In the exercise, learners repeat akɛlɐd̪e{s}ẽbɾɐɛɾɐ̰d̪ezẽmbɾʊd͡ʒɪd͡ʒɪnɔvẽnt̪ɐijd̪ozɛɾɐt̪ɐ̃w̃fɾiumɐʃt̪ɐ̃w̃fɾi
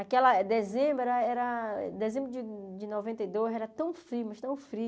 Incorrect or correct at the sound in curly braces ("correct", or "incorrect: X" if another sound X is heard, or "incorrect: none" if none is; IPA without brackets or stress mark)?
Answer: incorrect: z